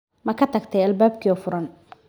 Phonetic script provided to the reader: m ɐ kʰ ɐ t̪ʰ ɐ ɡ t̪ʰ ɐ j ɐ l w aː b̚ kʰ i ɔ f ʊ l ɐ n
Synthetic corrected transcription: m ɐ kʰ ɐ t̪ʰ ɐ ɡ t̪ʰ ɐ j ɐ l b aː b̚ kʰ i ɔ f ʊ ɾ ɐ n